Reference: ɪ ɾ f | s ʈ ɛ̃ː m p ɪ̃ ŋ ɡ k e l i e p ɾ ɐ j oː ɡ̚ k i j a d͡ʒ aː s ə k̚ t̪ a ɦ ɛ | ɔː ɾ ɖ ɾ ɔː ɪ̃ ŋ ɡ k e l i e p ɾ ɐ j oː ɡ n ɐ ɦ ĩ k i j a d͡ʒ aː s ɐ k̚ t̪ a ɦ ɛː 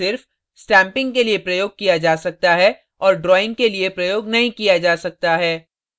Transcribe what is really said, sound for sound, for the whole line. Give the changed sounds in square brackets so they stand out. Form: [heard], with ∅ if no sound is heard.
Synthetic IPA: ɪ ɾ f | s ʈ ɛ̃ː m p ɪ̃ ŋ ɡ k e l i e p ɾ ɐ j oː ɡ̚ k i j a d͡ʒ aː s [ɐ] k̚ t̪ a ɦ ɛ | ɔː ɾ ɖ ɾ ɔː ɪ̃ ŋ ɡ k e l i e p ɾ ɐ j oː ɡ n ɐ ɦ ĩ k i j a d͡ʒ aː s ɐ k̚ t̪ a ɦ ɛː